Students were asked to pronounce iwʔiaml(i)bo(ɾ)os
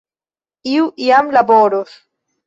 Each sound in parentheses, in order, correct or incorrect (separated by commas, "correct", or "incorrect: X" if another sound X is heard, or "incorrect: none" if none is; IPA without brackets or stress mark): incorrect: a, correct